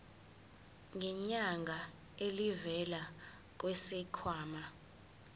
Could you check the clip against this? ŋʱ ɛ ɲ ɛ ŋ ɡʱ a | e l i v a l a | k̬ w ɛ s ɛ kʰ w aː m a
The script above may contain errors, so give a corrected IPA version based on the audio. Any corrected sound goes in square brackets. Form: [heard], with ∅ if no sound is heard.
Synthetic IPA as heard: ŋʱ ɛ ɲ [a] ŋ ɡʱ a | e l i v [ɛ] l a | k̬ w ɛ s ɛ kʰ w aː m a